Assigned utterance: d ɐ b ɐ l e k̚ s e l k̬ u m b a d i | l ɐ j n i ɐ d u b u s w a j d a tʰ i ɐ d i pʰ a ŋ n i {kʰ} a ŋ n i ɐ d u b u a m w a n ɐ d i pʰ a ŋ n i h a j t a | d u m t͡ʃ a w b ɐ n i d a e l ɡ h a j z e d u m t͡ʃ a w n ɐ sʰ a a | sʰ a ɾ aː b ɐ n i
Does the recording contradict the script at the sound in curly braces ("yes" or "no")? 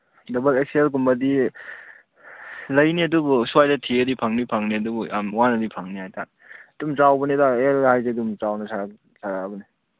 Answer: yes